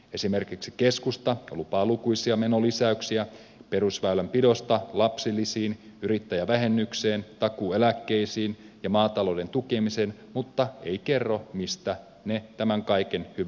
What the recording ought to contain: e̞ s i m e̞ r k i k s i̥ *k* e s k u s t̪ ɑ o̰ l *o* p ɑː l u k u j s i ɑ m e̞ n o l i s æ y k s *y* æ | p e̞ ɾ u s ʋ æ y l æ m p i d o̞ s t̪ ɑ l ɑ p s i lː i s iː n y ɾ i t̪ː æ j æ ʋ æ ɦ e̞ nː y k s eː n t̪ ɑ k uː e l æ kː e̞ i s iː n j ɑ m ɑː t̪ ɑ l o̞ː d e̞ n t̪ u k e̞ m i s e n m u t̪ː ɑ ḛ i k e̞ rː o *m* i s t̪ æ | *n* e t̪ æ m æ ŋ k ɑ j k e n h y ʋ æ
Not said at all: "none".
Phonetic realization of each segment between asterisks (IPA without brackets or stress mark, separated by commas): k, u, i, m, n